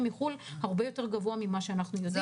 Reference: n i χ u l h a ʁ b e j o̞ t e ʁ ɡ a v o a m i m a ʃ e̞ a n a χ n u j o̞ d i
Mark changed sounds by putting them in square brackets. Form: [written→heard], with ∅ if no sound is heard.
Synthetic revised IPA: [n→m] i χ u l h a ʁ b e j o̞ t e ʁ ɡ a v o a m i m a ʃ e̞ a n a χ n u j o̞ d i